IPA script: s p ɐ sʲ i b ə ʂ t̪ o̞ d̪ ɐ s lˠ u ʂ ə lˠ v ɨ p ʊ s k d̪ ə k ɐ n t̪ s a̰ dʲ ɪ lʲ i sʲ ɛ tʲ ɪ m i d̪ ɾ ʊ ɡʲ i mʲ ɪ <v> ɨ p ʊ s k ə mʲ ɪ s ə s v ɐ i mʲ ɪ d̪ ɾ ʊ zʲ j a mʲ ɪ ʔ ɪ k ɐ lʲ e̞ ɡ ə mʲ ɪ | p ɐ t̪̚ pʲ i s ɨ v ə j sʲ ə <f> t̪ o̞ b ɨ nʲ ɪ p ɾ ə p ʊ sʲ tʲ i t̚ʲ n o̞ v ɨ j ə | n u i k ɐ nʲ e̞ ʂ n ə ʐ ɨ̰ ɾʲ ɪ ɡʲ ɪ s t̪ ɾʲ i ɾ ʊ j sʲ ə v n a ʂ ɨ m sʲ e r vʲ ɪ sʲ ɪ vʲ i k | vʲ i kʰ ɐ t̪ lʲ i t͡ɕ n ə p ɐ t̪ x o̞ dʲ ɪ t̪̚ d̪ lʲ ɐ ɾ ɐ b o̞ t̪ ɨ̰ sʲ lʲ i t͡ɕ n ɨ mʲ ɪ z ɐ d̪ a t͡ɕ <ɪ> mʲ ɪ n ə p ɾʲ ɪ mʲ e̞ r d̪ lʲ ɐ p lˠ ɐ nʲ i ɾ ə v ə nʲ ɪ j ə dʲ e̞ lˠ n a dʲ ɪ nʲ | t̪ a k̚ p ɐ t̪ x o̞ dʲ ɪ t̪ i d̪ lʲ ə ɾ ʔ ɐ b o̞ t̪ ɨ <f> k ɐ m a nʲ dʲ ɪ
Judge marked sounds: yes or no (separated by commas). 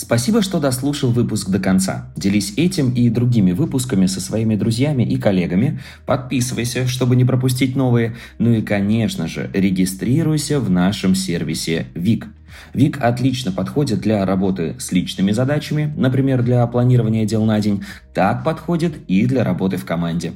yes, no, yes, yes